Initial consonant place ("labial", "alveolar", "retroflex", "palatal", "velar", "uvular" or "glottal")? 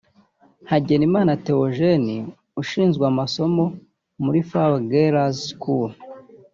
glottal